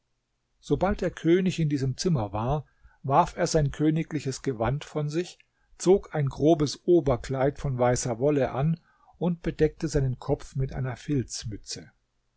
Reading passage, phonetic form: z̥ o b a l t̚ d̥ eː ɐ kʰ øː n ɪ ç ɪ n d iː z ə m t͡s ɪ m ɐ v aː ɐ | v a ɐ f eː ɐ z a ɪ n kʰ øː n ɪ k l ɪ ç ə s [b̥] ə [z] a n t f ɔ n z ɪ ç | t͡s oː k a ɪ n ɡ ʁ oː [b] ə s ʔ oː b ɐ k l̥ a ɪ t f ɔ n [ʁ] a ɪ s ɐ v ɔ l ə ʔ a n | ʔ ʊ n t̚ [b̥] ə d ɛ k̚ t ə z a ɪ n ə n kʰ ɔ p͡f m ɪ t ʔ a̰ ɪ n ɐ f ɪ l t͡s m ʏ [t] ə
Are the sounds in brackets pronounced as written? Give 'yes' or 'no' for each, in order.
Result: no, no, yes, no, yes, no

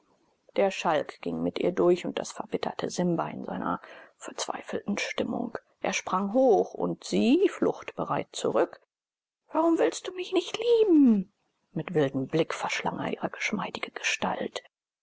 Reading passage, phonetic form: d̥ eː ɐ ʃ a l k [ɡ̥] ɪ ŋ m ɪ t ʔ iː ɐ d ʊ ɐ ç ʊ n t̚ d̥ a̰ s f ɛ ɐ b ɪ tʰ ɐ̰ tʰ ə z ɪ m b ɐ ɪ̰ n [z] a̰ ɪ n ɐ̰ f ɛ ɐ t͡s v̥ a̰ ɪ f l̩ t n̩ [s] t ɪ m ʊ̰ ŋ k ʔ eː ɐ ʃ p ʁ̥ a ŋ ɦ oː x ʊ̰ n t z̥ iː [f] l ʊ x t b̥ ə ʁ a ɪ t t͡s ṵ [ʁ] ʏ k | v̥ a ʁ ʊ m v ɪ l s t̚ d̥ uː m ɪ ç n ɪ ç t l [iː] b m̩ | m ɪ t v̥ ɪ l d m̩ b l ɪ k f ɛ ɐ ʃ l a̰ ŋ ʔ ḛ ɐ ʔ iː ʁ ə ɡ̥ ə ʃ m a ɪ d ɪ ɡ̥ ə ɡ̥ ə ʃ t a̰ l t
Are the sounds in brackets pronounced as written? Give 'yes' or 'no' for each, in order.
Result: yes, yes, no, yes, yes, yes

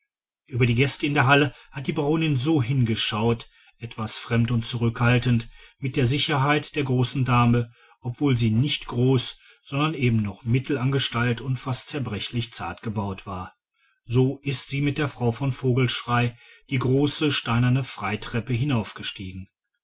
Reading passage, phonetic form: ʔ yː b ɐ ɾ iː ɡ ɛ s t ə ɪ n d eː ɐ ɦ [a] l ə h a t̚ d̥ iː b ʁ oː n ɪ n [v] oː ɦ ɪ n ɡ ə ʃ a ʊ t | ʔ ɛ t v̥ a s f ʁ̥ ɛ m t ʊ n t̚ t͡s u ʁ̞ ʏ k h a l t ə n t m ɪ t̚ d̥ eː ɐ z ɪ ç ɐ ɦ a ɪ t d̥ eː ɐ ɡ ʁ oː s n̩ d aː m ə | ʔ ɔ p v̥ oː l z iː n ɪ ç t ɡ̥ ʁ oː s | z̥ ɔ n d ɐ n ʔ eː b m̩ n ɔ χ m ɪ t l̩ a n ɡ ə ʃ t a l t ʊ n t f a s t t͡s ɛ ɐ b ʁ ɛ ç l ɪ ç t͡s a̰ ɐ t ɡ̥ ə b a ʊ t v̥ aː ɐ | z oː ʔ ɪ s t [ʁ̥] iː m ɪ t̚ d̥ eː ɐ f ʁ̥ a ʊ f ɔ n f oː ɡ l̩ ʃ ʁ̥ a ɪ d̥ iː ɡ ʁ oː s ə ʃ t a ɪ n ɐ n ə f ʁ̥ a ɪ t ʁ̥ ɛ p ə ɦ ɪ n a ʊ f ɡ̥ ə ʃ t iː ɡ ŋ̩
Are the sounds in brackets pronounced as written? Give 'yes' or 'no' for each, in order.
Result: yes, no, no

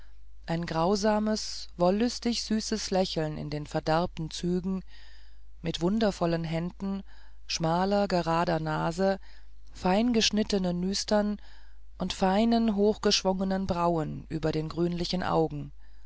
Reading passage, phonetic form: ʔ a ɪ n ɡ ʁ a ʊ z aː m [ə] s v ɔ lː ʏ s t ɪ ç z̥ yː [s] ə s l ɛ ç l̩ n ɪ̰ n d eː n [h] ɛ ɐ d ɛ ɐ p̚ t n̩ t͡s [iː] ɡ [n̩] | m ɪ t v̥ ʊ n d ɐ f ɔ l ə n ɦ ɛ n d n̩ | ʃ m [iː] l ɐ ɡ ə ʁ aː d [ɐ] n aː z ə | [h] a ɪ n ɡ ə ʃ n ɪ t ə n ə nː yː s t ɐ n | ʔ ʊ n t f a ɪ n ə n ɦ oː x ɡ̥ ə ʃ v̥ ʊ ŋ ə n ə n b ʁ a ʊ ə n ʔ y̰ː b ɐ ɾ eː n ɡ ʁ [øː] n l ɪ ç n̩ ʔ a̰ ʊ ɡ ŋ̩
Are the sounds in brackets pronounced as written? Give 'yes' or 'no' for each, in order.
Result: yes, yes, no, no, no, no, yes, no, no

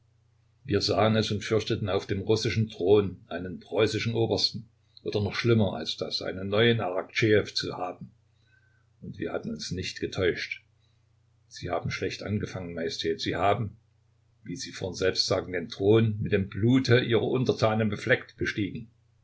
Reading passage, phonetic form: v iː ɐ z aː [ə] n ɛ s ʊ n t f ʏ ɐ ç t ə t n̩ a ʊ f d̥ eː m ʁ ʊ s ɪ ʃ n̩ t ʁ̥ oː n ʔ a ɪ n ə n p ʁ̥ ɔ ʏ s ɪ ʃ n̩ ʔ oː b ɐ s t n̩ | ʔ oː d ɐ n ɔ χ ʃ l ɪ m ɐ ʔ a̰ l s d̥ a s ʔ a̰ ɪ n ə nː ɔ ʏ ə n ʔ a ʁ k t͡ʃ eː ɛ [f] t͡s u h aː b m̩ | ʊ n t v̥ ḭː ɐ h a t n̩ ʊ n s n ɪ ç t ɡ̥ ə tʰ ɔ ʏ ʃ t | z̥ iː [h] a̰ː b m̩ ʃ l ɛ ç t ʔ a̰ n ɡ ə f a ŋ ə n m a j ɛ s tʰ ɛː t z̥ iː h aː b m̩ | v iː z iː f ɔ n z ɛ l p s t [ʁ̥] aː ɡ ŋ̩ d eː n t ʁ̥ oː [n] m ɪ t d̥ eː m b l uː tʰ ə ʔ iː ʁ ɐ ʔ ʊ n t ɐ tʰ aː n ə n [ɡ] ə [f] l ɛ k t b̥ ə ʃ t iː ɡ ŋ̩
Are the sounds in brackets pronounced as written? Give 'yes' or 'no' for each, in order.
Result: yes, yes, yes, no, yes, no, yes

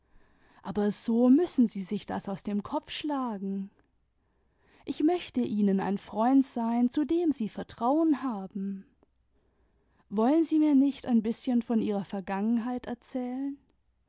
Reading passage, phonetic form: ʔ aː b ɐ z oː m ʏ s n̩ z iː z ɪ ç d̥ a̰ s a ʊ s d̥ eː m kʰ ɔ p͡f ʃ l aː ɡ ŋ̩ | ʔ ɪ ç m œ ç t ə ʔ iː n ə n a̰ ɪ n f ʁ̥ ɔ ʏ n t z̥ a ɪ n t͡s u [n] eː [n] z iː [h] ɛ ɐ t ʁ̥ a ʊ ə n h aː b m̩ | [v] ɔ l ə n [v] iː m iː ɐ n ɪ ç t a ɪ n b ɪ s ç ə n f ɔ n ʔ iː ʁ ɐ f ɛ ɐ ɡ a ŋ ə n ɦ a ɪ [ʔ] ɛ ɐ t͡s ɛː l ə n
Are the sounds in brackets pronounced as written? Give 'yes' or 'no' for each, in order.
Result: no, no, no, yes, no, no

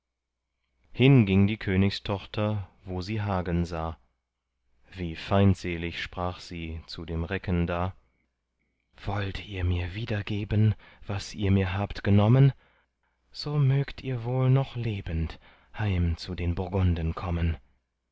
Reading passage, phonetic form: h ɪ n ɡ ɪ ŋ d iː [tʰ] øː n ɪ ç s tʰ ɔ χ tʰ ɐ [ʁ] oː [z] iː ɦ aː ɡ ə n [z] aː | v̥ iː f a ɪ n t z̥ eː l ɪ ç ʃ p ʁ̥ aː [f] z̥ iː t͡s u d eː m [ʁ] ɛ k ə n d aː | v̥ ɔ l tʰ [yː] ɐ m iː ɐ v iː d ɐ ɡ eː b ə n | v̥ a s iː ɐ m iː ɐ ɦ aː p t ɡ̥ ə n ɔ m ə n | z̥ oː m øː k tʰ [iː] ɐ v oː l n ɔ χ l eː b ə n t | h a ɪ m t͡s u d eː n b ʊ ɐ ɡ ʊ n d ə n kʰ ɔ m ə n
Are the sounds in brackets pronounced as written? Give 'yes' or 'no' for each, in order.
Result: no, no, yes, yes, no, yes, no, yes

